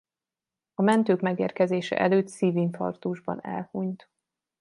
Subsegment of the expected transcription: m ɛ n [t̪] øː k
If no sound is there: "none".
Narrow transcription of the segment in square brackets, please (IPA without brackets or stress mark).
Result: t̪